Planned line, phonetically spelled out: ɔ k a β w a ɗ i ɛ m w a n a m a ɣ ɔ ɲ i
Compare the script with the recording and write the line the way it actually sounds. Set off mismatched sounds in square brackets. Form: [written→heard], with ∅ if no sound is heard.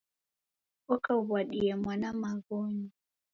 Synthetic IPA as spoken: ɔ k a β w a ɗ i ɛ m w a n a m a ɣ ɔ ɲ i